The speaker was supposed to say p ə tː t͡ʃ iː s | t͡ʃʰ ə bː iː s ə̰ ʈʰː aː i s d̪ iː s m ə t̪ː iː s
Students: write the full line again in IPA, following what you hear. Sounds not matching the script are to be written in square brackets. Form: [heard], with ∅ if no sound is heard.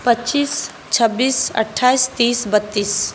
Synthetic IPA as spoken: p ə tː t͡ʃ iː s | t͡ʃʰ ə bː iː s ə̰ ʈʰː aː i s [t̪] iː s [b] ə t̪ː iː s